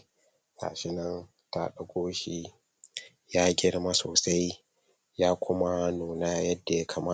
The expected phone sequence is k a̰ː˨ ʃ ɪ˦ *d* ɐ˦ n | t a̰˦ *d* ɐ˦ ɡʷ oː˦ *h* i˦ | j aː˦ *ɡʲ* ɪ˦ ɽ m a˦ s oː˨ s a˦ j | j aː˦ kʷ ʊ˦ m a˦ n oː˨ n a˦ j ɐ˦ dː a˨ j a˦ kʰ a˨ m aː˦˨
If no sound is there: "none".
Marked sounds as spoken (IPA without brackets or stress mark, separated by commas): n, ɗ, ʃ, ɡʲ